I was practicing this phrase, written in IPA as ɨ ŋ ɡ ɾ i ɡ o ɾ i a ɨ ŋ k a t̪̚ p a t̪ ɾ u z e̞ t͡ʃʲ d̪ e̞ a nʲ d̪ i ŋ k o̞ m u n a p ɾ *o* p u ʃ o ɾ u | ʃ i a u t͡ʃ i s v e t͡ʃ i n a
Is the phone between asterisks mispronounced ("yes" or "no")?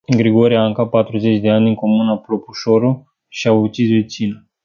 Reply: no